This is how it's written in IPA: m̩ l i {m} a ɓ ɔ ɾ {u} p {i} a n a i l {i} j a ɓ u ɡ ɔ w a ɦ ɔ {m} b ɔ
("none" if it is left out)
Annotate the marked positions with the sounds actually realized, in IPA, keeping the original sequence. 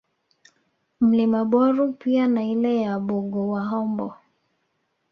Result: m, u, i, ɛ, m

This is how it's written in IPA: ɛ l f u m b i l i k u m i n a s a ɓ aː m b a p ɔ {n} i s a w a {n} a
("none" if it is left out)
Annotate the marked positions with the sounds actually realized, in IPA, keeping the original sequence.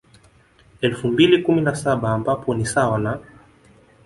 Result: n, n

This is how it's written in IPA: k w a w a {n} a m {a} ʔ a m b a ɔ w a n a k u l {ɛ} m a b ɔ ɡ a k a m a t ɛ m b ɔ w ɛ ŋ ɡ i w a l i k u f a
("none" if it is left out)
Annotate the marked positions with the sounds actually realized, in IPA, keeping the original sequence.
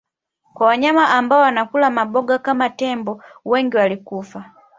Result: ɲ, a, a

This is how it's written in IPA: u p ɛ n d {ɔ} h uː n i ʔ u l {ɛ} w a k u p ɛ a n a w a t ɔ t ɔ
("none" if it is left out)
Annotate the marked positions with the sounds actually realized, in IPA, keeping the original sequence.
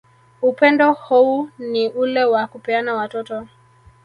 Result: ɔ, ɛ

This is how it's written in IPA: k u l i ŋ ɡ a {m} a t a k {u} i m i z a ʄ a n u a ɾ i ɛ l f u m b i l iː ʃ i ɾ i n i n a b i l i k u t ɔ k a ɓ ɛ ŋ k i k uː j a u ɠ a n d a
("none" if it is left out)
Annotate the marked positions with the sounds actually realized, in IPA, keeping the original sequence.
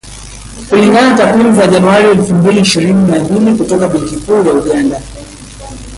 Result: n, w

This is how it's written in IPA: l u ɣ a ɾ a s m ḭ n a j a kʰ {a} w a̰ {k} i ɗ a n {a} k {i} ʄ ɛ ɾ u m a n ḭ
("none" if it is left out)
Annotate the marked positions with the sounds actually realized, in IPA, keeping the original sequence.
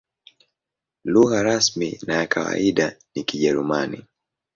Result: a, none, i, i

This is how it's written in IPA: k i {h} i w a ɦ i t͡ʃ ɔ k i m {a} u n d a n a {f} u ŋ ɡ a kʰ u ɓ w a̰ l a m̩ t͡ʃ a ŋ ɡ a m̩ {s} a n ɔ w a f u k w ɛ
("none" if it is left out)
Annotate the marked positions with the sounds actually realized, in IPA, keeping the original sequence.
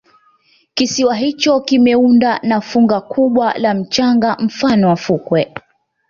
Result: s, ɛ, f, f

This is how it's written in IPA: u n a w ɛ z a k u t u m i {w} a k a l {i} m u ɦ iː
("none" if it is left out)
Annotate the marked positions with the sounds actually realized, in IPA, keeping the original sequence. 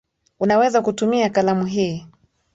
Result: none, a

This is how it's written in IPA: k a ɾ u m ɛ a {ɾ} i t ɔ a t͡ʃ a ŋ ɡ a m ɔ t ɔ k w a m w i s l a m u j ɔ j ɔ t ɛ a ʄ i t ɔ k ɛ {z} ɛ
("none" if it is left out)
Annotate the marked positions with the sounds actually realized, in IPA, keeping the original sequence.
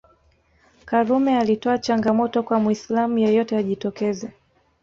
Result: l, z

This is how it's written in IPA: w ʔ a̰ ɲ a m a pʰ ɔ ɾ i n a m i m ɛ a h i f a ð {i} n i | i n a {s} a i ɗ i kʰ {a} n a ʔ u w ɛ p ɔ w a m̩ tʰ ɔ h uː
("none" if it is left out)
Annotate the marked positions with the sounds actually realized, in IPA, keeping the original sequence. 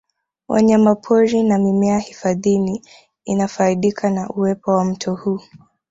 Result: i, f, a

